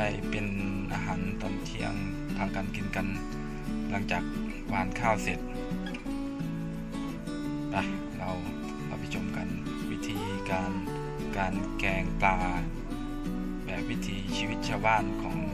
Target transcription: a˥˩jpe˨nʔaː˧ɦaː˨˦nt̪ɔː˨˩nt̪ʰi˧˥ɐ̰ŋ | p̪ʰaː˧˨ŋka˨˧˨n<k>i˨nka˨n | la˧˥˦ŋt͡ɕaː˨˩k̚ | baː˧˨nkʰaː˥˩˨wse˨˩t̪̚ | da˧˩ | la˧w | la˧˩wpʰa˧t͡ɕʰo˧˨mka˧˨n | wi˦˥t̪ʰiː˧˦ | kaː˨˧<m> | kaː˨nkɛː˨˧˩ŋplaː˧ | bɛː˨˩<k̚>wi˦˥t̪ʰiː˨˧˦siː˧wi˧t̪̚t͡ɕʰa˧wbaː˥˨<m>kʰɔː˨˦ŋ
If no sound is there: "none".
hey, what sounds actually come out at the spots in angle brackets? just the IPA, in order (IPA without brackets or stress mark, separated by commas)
k, n, p̚, n